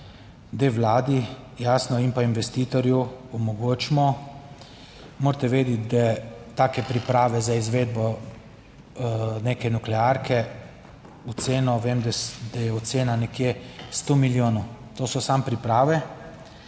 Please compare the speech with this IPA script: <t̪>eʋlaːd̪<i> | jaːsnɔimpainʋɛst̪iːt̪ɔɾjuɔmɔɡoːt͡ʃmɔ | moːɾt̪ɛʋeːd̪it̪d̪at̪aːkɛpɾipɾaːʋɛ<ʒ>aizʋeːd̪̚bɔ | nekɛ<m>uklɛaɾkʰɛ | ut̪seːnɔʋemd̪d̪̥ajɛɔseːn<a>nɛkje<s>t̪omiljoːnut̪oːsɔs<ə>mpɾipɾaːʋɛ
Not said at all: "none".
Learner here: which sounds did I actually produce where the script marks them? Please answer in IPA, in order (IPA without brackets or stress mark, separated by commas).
d̪, i, z, n, a, s, a